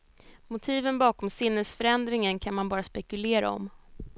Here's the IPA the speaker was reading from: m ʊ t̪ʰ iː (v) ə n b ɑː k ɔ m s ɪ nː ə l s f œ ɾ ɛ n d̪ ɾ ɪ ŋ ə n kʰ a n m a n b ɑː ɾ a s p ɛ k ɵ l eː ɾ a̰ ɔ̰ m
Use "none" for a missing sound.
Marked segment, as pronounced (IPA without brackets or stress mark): v